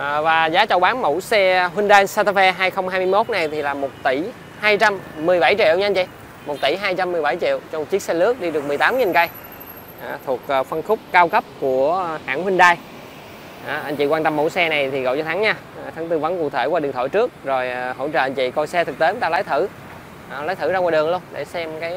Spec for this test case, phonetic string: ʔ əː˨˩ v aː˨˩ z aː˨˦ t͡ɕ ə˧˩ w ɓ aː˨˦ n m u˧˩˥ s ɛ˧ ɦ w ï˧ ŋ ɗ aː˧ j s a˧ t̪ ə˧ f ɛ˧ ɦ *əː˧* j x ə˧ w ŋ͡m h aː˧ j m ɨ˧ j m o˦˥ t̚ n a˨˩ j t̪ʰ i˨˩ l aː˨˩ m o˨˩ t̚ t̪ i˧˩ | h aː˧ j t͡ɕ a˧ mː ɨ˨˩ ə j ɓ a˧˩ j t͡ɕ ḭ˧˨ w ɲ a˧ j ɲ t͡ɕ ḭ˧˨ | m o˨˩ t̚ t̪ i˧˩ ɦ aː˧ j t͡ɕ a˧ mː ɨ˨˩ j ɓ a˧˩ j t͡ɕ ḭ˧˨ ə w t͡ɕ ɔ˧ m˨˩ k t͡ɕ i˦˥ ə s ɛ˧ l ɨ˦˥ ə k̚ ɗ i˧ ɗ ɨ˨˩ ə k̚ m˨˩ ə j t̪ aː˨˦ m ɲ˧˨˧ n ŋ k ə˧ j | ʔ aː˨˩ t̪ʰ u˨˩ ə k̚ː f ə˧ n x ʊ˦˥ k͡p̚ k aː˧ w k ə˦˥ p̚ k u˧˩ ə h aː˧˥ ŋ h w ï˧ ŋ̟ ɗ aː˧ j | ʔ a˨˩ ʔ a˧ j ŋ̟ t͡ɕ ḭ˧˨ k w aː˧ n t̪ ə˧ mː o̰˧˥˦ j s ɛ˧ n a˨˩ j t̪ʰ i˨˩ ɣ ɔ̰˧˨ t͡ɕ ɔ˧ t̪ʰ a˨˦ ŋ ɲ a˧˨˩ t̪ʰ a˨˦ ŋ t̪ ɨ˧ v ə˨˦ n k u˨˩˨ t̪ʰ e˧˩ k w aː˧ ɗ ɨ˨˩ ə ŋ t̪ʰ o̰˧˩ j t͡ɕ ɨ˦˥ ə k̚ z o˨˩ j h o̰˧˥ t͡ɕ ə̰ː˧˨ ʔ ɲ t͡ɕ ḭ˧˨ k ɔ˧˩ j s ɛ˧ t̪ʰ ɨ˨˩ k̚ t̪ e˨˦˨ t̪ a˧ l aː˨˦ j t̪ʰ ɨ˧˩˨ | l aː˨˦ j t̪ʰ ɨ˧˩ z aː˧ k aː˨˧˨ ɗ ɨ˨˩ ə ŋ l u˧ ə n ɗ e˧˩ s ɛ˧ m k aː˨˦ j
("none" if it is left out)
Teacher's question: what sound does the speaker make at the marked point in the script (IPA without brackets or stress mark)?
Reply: aː˧